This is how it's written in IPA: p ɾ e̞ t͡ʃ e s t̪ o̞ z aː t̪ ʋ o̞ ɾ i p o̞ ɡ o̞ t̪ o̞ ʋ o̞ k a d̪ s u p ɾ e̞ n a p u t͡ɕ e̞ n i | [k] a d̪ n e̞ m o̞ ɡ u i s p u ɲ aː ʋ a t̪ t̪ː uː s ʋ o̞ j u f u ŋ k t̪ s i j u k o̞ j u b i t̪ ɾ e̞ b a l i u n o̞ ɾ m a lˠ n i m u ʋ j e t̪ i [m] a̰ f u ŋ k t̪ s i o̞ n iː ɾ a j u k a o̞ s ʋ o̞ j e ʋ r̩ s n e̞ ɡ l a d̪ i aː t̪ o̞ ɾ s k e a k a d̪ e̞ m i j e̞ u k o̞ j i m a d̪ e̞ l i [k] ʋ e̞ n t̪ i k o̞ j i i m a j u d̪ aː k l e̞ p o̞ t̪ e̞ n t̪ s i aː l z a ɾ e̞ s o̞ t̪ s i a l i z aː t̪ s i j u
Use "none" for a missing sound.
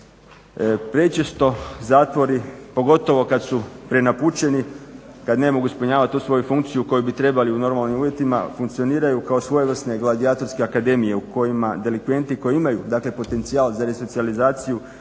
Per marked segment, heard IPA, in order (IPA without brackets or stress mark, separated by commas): k, m, k